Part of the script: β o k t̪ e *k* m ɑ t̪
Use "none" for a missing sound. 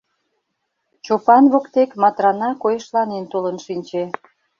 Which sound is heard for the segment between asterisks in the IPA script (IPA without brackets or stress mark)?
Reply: k